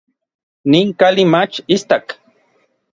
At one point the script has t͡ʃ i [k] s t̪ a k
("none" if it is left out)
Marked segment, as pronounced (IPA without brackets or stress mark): none